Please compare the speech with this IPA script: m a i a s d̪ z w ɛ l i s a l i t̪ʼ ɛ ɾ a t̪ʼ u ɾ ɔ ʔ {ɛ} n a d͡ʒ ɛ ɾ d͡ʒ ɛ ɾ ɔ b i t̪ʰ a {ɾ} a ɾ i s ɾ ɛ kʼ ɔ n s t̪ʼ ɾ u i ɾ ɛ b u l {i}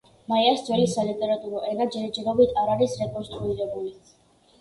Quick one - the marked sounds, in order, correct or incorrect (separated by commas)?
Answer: correct, correct, correct